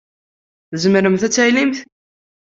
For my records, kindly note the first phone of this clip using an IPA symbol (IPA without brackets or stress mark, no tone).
θ